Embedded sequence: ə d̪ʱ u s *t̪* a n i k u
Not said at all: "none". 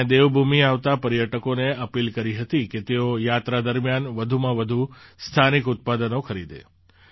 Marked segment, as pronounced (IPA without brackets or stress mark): t̪ʰ